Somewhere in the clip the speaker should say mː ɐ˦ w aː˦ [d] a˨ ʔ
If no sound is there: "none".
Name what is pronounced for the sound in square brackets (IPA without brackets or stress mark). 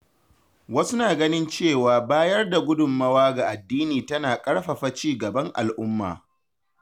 ɡ